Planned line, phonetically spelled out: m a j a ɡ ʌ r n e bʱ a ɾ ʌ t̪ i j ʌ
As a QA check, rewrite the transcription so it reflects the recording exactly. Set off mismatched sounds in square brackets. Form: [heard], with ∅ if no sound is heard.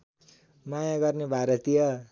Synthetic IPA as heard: m a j a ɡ ʌ r n e bʱ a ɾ ʌ t̪ i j ʌ

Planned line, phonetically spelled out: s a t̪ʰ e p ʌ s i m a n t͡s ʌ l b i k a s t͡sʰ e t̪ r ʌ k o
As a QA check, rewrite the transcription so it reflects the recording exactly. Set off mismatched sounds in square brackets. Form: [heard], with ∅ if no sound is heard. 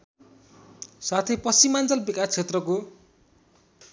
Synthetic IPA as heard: s a t̪ʰ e p ʌ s i m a n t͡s ʌ l b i k a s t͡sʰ e t̪ r ʌ k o

